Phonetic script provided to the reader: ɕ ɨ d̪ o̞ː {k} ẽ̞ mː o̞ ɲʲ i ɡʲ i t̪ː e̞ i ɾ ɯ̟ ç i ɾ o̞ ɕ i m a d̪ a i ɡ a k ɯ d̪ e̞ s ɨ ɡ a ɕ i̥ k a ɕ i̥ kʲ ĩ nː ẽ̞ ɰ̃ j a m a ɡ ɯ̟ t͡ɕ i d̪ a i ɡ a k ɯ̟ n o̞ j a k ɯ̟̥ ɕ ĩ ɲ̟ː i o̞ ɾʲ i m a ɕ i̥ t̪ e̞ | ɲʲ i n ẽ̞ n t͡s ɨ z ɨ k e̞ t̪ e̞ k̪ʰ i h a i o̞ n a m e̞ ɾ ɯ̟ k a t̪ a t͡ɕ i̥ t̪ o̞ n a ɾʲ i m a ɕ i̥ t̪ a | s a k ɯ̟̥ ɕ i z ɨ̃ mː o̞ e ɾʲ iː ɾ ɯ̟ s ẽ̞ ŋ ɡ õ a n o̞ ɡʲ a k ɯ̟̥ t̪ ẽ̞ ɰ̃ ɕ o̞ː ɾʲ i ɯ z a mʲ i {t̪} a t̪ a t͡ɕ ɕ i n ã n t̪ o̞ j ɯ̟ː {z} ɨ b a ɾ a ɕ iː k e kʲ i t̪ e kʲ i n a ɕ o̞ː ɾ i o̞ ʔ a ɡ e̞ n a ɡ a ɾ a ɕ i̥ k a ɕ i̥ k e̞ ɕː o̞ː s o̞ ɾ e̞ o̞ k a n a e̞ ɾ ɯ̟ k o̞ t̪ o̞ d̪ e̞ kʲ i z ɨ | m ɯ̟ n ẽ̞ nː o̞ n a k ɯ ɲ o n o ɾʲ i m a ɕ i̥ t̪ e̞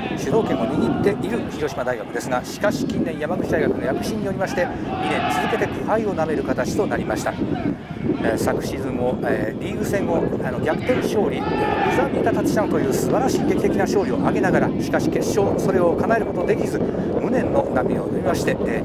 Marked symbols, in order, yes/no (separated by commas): yes, yes, no